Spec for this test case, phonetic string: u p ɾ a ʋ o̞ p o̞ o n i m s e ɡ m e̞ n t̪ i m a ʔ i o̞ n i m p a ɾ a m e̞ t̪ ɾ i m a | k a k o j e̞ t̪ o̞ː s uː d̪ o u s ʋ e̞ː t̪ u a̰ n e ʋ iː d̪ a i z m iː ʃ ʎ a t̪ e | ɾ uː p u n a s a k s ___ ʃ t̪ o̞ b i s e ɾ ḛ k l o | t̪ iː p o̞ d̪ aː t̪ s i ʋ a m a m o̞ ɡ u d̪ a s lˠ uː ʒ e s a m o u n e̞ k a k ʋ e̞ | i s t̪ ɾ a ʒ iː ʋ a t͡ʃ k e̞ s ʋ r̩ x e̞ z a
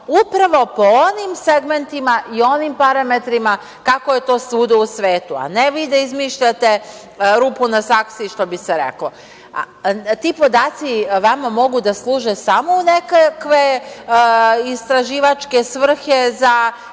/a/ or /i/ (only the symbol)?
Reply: i